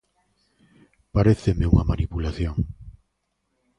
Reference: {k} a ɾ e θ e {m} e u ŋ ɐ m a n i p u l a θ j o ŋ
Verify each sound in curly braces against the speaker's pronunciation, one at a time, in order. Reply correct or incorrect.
incorrect: p, correct

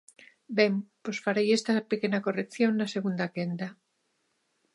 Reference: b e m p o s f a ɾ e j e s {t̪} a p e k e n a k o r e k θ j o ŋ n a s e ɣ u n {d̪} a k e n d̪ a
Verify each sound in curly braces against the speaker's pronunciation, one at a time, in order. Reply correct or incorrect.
correct, correct

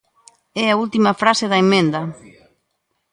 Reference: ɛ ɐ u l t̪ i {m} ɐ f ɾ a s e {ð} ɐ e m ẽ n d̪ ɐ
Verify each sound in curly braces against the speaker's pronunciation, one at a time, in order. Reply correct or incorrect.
correct, correct

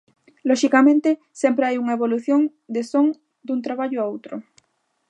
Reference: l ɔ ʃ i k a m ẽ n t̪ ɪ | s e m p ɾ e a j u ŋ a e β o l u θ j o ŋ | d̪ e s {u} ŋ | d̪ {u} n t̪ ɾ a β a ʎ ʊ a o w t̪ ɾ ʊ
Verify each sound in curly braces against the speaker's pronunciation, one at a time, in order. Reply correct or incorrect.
incorrect: o, correct

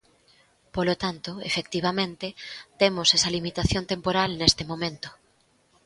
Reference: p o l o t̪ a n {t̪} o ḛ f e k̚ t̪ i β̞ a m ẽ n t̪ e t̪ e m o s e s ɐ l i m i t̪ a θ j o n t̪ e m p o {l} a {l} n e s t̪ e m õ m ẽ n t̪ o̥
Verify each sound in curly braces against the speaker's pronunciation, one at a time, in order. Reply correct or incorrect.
correct, incorrect: ɾ, correct

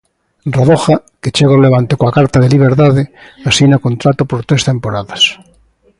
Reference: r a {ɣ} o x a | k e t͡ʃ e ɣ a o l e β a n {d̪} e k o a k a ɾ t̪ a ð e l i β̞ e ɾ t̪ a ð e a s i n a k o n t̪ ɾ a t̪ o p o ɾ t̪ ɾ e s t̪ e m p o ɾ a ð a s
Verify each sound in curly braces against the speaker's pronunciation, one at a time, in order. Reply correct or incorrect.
incorrect: ð, incorrect: t̪

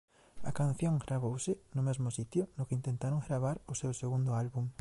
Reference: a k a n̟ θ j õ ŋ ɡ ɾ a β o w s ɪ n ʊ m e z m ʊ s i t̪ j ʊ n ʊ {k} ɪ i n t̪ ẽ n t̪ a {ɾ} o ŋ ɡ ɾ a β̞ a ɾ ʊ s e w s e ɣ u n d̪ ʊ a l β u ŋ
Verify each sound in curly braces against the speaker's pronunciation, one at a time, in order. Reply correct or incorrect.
correct, correct

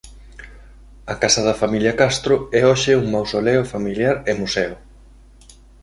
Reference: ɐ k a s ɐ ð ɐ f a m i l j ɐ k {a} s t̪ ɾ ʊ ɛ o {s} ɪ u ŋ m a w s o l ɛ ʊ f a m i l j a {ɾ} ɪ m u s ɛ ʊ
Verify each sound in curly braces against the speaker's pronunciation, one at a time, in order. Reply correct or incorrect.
correct, incorrect: ʃ, correct

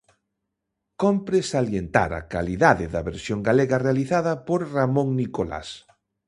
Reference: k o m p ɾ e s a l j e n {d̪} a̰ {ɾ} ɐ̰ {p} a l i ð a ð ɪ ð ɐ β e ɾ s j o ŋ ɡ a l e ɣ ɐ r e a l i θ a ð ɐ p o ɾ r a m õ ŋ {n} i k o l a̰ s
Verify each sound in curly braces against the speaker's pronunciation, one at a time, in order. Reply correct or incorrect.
incorrect: t̪, correct, incorrect: k, correct

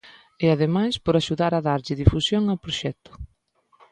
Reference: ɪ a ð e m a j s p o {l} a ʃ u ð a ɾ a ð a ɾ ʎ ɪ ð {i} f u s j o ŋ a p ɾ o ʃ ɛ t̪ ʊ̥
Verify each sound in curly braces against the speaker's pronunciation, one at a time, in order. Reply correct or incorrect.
incorrect: ɾ, correct

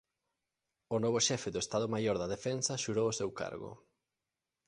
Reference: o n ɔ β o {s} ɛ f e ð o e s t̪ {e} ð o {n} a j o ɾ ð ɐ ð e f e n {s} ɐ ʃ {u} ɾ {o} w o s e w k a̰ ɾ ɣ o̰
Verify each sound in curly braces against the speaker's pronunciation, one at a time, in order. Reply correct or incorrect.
incorrect: ʃ, incorrect: a, incorrect: m, correct, correct, correct

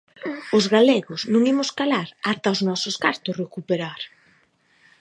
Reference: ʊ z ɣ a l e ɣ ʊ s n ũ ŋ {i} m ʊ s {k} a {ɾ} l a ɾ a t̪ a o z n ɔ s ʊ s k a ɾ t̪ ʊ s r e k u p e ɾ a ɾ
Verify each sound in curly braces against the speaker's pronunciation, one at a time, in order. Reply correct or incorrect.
correct, correct, incorrect: none

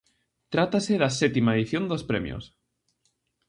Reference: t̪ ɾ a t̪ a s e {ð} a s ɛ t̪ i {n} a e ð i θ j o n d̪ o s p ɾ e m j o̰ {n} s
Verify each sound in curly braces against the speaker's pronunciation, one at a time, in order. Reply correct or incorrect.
correct, incorrect: m, incorrect: none

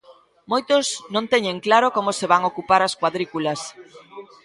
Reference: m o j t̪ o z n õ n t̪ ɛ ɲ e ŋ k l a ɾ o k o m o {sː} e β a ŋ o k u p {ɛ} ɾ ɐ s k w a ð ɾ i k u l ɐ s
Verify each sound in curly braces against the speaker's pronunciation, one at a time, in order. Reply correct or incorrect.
incorrect: s, incorrect: a

